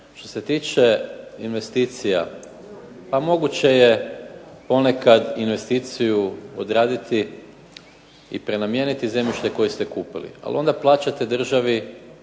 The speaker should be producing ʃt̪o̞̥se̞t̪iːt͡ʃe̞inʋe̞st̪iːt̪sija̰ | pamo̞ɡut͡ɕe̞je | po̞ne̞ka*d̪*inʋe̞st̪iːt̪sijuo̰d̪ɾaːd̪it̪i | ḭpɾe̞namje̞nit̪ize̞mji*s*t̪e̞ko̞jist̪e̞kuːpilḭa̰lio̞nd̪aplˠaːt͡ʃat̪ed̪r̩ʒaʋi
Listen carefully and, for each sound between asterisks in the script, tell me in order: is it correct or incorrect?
correct, incorrect: ʃ

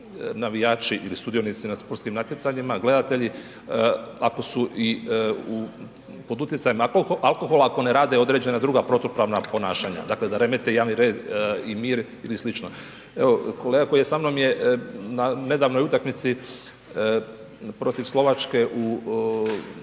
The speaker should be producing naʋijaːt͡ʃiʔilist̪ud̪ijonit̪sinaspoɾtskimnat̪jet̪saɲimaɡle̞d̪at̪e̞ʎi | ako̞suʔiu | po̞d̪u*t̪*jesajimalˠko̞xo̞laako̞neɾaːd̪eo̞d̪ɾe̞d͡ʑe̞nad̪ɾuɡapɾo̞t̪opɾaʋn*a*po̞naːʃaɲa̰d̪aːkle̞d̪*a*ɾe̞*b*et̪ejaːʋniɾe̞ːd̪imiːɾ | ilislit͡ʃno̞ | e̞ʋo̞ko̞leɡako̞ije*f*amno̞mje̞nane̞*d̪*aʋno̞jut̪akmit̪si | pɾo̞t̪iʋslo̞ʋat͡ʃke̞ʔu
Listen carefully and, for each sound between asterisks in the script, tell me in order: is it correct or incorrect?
correct, correct, correct, incorrect: m, incorrect: s, correct

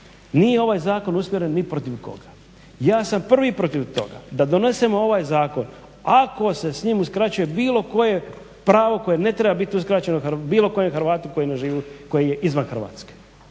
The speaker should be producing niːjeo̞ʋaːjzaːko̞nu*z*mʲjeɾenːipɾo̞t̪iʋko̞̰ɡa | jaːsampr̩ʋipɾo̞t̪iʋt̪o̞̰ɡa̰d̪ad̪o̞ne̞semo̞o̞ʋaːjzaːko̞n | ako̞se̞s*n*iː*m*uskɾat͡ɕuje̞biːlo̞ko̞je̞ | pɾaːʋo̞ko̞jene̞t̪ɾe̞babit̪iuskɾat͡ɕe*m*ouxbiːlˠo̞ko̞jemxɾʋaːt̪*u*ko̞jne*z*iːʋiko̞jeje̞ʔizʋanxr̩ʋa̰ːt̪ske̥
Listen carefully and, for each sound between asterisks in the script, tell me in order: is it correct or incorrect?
incorrect: s, incorrect: ɲ, correct, incorrect: n, correct, incorrect: ʒ

